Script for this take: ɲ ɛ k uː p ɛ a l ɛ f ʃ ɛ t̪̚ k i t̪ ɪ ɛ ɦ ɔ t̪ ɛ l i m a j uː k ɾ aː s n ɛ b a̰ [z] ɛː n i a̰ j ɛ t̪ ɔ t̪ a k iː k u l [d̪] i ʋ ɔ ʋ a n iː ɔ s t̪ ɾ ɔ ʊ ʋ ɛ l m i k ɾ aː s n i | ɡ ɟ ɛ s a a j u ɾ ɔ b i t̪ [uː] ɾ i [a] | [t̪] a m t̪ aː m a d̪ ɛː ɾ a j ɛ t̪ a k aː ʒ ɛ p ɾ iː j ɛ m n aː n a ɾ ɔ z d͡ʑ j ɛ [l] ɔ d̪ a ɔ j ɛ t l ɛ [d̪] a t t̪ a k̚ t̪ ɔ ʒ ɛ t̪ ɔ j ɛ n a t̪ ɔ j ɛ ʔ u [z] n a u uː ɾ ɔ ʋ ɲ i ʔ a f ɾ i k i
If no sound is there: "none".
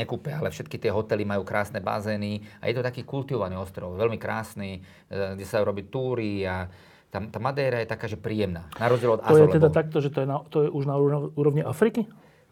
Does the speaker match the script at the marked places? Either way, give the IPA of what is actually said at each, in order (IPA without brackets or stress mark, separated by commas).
z, t̪, uː, a, t̪, l, d̪, ʒ